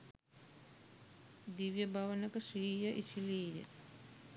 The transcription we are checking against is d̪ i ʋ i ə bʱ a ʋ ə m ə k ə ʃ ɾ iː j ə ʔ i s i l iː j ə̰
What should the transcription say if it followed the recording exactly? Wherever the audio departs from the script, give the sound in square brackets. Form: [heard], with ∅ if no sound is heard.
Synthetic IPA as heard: d̪ i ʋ [j] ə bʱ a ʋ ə [n] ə k ə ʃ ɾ iː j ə ʔ i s i l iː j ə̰